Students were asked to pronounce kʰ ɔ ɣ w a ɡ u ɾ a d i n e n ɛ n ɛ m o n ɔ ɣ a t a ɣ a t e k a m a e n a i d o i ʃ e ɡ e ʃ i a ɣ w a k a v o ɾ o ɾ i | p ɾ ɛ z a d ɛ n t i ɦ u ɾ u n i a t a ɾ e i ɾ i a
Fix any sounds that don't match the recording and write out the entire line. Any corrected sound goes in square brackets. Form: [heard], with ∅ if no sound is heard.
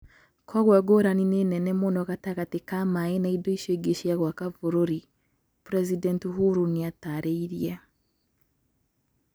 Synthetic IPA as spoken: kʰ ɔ ɣ w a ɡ [o] ɾ a [n] i n e n ɛ n ɛ m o n ɔ ɣ a t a ɣ a t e k a m a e n a i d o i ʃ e ɡ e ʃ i a ɣ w a k a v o ɾ o ɾ i | p ɾ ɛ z [i] d ɛ n t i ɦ u ɾ u n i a t a ɾ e i ɾ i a